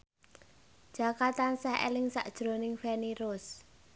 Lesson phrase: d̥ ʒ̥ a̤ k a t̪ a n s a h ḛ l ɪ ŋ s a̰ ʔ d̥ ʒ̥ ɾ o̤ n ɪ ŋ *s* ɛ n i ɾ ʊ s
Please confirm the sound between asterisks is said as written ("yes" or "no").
no